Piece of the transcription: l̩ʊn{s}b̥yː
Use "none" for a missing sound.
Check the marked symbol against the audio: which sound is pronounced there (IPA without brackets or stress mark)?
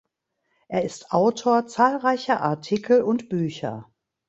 t